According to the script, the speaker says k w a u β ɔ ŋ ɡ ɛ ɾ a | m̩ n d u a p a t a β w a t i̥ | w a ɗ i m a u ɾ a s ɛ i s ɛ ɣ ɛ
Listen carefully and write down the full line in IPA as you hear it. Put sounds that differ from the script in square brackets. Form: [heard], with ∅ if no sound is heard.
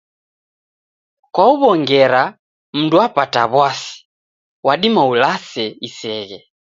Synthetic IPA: k w a u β ɔ ŋ ɡ ɛ ɾ a | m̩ n d u a p a t a β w a [s] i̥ | w a ɗ i m a u [l] a s ɛ i s ɛ ɣ ɛ